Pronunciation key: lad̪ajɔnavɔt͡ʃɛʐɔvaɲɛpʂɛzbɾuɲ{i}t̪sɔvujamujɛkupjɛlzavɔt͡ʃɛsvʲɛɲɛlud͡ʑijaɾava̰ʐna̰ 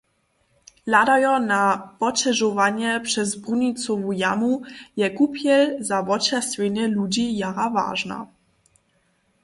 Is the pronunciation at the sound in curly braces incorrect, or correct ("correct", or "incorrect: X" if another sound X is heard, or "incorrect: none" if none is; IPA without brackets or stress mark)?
correct